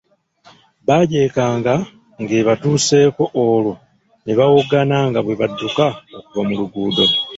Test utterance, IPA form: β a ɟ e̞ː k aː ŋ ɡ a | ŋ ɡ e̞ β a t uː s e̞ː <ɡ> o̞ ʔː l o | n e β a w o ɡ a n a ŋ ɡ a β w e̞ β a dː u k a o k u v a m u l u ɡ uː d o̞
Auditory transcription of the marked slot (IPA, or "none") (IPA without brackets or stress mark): k